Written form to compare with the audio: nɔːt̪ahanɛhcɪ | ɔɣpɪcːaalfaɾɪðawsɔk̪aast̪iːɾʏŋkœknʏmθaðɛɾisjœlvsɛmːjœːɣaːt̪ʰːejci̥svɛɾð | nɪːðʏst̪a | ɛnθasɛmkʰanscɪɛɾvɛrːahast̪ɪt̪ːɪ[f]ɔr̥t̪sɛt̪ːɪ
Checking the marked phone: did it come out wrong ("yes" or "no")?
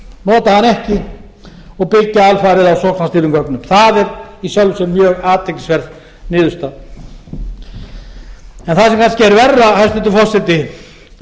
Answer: no